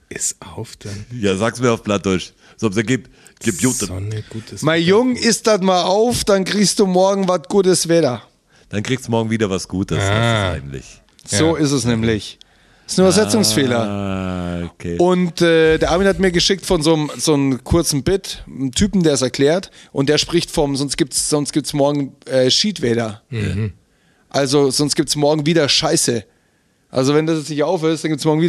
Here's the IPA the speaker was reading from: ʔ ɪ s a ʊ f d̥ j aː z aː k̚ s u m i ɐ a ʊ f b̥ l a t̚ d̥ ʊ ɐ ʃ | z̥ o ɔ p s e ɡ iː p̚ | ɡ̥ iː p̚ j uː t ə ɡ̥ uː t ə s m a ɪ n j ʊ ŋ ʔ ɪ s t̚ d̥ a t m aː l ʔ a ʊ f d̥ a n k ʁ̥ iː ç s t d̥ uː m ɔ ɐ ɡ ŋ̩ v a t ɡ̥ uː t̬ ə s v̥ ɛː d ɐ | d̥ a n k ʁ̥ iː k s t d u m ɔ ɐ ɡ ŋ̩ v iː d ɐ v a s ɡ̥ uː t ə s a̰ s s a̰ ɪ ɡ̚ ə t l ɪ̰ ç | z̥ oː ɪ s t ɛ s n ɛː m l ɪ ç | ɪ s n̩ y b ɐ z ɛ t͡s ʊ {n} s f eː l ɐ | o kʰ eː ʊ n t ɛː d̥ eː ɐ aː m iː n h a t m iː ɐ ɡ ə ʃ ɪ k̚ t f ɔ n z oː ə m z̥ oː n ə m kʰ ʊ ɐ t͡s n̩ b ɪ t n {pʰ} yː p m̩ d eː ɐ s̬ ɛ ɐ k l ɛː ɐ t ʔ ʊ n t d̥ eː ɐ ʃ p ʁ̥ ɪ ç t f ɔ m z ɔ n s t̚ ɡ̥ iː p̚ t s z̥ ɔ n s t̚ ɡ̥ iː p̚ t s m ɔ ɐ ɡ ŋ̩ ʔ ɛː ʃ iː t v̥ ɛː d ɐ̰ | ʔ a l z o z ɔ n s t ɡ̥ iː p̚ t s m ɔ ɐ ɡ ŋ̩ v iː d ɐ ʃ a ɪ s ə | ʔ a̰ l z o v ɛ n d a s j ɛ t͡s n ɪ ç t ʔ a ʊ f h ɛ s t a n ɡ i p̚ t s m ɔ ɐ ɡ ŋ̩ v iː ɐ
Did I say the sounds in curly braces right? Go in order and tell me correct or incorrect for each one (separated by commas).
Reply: incorrect, incorrect